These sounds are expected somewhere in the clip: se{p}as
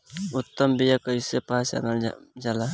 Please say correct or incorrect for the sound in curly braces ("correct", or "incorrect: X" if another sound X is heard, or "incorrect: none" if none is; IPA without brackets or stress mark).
correct